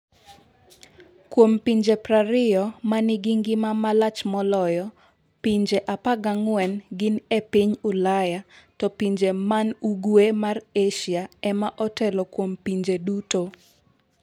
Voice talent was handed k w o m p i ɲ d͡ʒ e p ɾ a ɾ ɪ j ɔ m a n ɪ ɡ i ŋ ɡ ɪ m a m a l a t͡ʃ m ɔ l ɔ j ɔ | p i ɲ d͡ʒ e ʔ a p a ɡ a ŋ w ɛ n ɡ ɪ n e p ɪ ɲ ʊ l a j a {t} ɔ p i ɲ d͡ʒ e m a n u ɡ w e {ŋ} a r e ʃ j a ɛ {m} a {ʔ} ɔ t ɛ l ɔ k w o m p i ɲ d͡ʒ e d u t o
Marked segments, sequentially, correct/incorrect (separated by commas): correct, incorrect, correct, correct